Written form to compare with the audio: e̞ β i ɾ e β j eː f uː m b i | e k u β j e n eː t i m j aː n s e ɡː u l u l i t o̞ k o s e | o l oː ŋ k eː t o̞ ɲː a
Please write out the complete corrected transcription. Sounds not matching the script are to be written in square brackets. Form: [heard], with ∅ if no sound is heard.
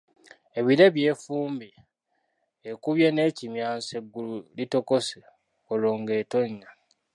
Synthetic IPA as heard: e̞ β i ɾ e β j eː f uː m b i | e k u β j e n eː [c] i m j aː n s e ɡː u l u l i t o̞ k o s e | o l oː ŋ [ɡ] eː t o̞ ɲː a

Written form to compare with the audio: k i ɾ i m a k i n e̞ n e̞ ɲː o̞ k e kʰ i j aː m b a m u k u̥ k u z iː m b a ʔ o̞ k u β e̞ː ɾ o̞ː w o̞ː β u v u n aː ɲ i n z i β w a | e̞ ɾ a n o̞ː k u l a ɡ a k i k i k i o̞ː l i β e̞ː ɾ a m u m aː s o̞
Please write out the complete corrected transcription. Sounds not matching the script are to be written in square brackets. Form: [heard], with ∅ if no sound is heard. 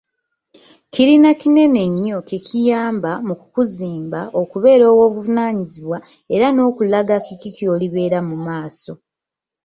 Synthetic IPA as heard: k i ɾ i [n] a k i n e̞ n e̞ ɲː o̞ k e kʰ i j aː m b a m u k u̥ k u z iː m b a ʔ o̞ k u β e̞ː ɾ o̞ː w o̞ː β u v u n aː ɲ i [∅] z i β w a | e̞ ɾ a n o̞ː k u l a ɡ a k i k i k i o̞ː l i β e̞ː ɾ a m u m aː s o̞

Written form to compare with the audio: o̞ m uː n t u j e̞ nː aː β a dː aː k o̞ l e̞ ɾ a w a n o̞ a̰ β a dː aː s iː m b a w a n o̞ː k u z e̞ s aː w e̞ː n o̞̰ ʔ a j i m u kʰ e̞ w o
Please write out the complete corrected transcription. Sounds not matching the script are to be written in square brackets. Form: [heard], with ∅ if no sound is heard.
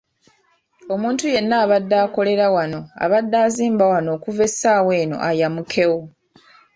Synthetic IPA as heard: o̞ m uː n t u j e̞ nː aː β a dː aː k o̞ l e̞ ɾ a w a n o̞ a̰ β a dː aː [z] iː m b a w a n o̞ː k u [v] e̞ s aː w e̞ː n o̞̰ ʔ a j [a] m u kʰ e̞ w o

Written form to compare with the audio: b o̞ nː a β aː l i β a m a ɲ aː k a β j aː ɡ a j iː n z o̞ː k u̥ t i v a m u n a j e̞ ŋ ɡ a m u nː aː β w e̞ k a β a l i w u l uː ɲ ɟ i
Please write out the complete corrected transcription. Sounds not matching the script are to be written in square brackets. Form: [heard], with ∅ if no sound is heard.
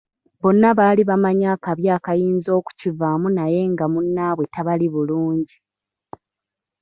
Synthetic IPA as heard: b o̞ nː a β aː l i β a m a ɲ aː k a β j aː [k] a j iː n z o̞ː k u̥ [c] i v a m u n a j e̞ ŋ ɡ a m u nː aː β w e̞ [t] a β a l i [β] u l uː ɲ ɟ i

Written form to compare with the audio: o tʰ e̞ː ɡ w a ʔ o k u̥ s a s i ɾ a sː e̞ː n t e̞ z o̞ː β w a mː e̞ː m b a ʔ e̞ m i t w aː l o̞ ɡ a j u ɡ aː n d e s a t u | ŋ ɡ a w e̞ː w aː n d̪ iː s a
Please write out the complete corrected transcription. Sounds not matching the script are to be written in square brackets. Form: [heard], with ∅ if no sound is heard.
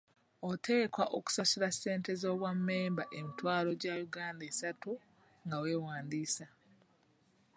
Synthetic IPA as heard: o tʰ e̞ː [k] w a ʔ o k u̥ s a s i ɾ a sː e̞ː n t e̞ z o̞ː β w a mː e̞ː m b a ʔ e̞ m i t w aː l o̞ [ɟ] a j u ɡ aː n d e s a t u | ŋ ɡ a w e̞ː w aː n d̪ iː s a

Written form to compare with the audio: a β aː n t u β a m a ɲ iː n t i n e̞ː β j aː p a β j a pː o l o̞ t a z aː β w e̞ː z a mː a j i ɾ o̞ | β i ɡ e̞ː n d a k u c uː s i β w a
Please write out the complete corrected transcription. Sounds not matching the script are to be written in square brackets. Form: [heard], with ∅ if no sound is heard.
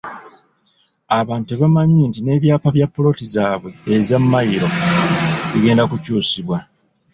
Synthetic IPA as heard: a β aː n t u β a m a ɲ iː n t i n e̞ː β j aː p a β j a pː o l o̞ t [i] z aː β w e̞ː z a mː a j i ɾ o̞ | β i ɡ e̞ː n d a k u c uː s i β w a

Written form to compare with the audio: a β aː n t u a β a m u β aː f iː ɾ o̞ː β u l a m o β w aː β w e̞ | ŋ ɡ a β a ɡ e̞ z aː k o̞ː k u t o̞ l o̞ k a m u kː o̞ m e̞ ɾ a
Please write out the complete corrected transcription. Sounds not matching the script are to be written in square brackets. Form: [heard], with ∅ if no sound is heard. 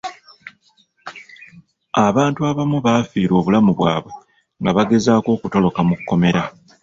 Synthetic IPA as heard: a β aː n t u a β a m u β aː f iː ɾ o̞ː β u l a m [u] β w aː β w e̞ | ŋ ɡ a β a ɡ e̞ z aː k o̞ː k u t o̞ l o̞ k a m u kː o̞ m e̞ ɾ a

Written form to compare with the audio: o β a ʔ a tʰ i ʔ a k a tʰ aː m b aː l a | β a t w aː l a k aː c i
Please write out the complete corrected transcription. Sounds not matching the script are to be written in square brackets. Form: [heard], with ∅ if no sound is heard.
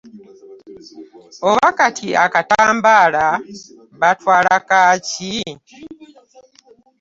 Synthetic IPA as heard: o β a [k] a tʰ i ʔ a k a [t] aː m b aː l a | β a t w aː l a k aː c i

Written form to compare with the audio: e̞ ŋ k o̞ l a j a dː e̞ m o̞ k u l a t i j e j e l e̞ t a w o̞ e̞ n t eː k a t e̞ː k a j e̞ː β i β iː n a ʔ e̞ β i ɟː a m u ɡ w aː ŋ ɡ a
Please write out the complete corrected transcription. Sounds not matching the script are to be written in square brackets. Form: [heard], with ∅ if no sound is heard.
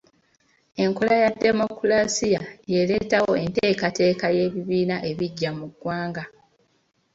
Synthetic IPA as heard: e̞ ŋ k o̞ l a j a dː e̞ m o̞ k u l a [s] i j [a] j e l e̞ t a w o̞ e̞ n t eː k a t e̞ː k a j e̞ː β i β iː n a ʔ e̞ β i ɟː a m u ɡ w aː ŋ ɡ a

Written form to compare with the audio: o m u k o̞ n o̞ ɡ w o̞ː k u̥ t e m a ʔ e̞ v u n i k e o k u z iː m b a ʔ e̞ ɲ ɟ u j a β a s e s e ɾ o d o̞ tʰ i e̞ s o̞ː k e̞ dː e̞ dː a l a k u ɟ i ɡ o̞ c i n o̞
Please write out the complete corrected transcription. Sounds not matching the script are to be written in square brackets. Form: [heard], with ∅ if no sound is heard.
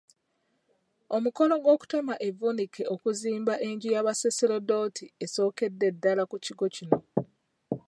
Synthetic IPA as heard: o m u k o̞ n o̞ ɡ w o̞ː k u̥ t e m a ʔ e̞ v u n i k e o k u z iː m b a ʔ e̞ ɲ ɟ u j a β a s e s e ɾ o d o̞ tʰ i e̞ s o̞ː k e̞ dː e̞ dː a l a k u [c] i ɡ o̞ c i n o̞

